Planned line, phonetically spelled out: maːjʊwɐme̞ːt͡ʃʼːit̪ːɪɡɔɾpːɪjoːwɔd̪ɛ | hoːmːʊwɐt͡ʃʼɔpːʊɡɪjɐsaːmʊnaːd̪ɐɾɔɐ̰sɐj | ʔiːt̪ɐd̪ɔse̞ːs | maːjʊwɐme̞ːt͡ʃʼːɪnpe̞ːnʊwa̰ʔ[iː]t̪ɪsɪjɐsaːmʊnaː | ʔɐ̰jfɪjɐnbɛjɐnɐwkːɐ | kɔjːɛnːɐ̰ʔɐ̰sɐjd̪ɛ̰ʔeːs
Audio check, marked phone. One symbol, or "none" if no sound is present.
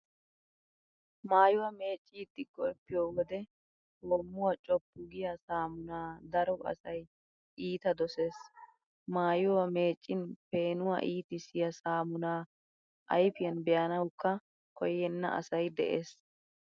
iː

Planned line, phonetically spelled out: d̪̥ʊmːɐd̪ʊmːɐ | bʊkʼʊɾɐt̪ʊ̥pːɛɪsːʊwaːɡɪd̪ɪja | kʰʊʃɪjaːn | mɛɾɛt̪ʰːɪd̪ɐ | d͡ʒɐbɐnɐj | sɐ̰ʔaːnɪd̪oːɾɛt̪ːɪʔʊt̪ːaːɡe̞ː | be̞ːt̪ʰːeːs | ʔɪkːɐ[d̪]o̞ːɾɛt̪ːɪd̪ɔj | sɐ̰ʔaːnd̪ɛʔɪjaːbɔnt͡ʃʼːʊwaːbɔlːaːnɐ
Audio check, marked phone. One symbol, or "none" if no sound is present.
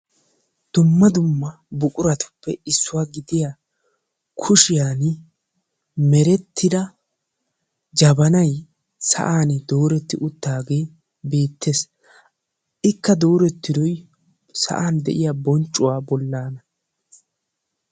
d̪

